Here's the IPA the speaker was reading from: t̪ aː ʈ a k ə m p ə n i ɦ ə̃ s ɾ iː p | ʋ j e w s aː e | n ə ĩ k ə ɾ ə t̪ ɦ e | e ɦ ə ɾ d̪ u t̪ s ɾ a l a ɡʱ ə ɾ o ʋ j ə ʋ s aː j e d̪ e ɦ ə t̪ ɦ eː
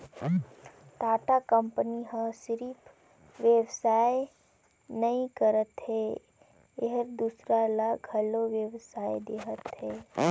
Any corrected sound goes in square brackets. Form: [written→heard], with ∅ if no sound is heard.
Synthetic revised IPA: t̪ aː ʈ a k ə m p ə n i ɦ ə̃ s ɾ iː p | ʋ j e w s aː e | n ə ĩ k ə ɾ ə t̪ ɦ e | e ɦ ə ɾ d̪ u [t̪→∅] s ɾ a l a ɡʱ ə [ɾ→l] o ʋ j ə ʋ s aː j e d̪ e ɦ ə t̪ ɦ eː